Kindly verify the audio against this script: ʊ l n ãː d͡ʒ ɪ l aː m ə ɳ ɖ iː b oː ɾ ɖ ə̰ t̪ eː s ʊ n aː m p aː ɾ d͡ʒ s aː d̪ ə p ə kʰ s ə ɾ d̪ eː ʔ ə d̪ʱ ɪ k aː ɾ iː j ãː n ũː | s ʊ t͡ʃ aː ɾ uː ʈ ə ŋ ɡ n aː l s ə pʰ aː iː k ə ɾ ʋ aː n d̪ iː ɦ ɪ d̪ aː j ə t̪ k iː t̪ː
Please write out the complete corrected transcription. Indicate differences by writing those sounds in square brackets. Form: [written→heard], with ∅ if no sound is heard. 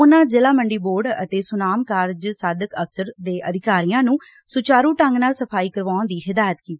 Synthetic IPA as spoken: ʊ [l→∅] n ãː d͡ʒ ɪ l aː m ə ɳ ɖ iː b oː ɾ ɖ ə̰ t̪ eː s ʊ n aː m [p→k] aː ɾ d͡ʒ s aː d̪ ə [p→k] ə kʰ s ə ɾ d̪ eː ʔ ə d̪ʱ ɪ k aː ɾ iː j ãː n ũː | s ʊ t͡ʃ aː ɾ uː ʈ ə ŋ ɡ n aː l s ə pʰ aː iː k ə ɾ ʋ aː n d̪ iː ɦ ɪ d̪ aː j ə t̪ k iː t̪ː